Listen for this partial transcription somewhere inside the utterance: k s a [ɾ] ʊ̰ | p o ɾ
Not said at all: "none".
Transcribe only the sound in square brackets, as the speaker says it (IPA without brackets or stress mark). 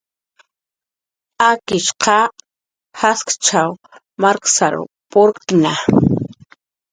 ɾ